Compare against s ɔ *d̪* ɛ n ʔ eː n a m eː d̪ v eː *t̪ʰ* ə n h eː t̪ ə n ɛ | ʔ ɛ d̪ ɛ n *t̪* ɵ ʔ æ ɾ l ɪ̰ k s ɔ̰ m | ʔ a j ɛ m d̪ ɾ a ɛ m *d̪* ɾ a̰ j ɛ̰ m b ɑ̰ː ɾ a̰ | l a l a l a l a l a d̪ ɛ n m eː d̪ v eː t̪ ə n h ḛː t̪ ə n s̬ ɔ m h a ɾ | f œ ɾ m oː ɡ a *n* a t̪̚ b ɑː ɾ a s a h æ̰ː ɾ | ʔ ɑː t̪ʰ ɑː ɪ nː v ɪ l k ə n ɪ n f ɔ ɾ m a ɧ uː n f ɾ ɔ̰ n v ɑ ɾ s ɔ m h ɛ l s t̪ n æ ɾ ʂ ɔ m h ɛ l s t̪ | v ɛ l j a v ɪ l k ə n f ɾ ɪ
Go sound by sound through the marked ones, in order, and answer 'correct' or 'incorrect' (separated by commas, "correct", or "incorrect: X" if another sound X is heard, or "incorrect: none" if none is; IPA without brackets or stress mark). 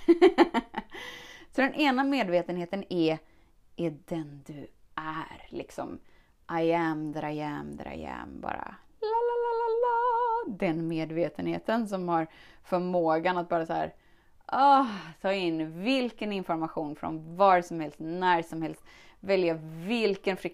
correct, incorrect: t̪, incorrect: d̪, correct, correct